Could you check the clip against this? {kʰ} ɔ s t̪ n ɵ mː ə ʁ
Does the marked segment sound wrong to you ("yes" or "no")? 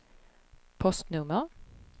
yes